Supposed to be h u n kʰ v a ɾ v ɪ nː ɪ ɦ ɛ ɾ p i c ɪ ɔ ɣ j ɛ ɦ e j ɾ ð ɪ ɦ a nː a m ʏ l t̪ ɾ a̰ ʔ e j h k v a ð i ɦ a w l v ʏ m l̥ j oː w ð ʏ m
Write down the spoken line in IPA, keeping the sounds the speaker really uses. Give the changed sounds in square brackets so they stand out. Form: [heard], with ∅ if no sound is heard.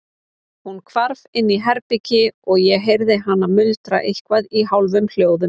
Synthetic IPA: h u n kʰ v a ɾ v ɪ nː [i] ɦ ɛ ɾ p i c ɪ ɔ ɣ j ɛ ɦ e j ɾ ð ɪ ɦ a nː a m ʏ l t̪ ɾ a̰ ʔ e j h k v a ð i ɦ a w l v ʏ m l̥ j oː w ð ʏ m